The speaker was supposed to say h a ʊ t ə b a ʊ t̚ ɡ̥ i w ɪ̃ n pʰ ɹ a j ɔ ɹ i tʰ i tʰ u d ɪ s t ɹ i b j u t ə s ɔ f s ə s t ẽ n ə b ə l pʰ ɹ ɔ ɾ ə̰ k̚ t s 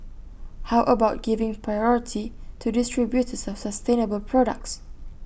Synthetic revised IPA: h a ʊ ʔ ə b a ʊ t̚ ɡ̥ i v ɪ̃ ŋ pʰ ɹ a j ɔ ɹ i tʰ i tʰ u d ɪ s t ɹ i b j u t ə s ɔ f s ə s t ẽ n ə b ə l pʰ ɹ ɔ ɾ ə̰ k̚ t s

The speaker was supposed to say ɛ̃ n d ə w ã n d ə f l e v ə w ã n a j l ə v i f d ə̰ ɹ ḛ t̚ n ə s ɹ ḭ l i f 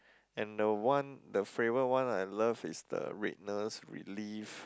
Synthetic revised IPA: ɛ̃ n d ə w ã n d ə f ɹ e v ə w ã n a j l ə v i s d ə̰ ɹ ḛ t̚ n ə s ɹ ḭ l i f

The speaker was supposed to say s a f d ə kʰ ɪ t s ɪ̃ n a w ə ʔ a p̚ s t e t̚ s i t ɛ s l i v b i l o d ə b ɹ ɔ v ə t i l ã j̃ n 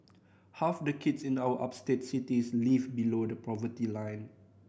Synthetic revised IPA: h a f d ə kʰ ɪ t s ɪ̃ n a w ə ʔ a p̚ s t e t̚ s i t i s l i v b i l o d ə p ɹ ɔ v ə t i l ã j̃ n

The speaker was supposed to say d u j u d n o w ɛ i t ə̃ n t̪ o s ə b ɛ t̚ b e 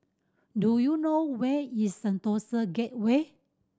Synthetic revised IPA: d u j u n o w ɛ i s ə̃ n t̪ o s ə ɡ ɛ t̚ w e

